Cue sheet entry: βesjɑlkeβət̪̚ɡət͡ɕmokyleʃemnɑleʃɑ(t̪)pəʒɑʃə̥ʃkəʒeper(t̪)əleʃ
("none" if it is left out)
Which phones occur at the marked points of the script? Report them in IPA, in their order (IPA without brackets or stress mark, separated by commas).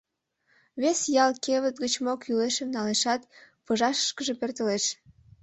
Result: t̪, t̪